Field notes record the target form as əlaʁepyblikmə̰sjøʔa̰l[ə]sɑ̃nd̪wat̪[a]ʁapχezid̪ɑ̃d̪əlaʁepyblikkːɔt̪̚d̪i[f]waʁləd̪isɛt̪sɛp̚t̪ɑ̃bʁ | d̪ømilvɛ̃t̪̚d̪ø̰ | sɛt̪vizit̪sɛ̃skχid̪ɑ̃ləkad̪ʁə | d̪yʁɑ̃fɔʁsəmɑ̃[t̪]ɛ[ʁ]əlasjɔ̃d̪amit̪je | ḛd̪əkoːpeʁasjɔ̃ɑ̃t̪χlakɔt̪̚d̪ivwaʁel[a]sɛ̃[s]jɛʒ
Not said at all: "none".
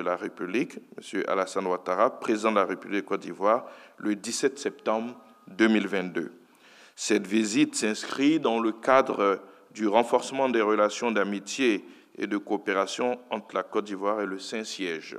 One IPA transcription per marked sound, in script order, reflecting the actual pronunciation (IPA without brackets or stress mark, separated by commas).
a, a, v, d̪, ʁ, ə, s